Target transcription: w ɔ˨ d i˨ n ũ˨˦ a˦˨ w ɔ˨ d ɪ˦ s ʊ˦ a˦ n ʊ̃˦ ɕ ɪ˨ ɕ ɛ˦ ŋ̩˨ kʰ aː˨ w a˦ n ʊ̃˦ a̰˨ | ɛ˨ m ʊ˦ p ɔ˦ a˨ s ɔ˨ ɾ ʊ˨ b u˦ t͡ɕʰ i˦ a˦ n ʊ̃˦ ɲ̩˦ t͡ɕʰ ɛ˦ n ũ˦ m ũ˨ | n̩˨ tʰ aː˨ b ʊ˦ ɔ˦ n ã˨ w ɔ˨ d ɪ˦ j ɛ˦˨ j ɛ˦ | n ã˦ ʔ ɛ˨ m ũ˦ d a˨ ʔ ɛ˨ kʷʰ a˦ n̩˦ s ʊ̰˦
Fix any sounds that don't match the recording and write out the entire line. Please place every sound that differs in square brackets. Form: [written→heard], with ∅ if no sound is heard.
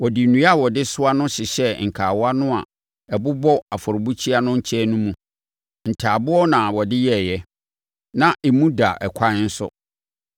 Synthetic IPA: w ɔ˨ d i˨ n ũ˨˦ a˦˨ w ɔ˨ d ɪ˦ s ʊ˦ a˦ n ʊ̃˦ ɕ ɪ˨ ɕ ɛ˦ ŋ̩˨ kʰ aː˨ w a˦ n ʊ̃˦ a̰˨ | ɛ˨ [m→b] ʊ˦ [p→b] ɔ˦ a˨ [s→f] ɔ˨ ɾ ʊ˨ b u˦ t͡ɕʰ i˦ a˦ n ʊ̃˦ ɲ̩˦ t͡ɕʰ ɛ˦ n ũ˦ m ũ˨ | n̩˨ tʰ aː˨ b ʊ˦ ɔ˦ n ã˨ w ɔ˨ d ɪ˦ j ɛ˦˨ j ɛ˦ | n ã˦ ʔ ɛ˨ m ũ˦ d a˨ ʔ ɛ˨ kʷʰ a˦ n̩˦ s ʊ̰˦